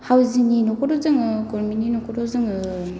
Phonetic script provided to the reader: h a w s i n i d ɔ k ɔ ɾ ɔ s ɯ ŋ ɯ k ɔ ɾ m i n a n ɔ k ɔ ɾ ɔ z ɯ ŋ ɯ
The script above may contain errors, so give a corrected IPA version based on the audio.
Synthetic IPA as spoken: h a w z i n i n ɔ k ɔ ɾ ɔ z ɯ ŋ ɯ k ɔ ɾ m i n i n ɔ k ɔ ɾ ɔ z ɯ ŋ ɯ

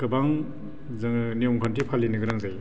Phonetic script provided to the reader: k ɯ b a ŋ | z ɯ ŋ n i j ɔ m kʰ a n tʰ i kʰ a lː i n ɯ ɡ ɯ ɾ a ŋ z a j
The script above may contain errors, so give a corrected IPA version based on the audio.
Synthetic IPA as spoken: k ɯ b a ŋ | z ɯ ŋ n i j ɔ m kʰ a n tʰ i pʰ a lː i n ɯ ɡ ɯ ɾ a ŋ z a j

